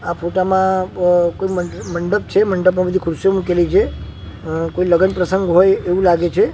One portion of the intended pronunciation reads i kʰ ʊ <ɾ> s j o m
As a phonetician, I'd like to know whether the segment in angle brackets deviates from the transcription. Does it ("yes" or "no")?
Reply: no